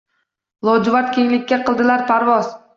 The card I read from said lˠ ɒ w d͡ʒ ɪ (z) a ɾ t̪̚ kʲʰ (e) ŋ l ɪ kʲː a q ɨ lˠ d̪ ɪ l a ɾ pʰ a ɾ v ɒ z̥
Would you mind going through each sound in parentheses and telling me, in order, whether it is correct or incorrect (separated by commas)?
incorrect, correct